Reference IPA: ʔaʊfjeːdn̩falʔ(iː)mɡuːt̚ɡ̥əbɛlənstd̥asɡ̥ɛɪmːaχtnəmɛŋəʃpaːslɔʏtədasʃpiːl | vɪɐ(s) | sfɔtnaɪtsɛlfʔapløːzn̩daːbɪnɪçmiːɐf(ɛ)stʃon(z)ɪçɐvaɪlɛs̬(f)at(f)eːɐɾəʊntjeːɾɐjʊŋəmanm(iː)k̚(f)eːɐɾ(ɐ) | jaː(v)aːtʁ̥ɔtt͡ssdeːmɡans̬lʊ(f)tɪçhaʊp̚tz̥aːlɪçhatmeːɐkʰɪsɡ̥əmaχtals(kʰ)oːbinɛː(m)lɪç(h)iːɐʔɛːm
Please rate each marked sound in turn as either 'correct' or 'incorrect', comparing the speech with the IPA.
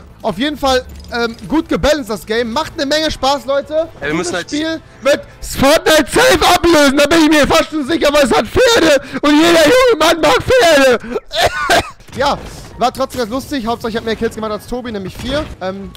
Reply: incorrect: ɛː, incorrect: t, incorrect: a, correct, incorrect: h, correct, incorrect: aː, correct, incorrect: ə, correct, incorrect: s, incorrect: tʰ, correct, incorrect: f

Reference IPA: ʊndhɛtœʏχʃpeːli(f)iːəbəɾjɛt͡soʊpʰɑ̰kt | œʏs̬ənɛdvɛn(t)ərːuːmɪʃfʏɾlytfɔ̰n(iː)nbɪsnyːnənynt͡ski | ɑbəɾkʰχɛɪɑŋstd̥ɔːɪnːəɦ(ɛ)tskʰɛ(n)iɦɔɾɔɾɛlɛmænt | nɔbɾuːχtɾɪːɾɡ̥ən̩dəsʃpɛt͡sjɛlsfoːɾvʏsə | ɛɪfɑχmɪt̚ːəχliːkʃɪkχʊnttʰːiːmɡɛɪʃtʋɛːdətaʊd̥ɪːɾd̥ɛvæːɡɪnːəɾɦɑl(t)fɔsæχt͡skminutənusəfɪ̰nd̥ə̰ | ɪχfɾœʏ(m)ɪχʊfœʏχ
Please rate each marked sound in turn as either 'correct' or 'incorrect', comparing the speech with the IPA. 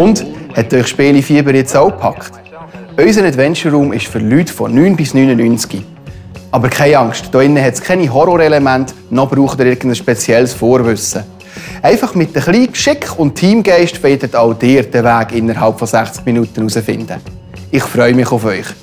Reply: correct, incorrect: t͡ʃ, incorrect: yː, correct, correct, incorrect: p, correct

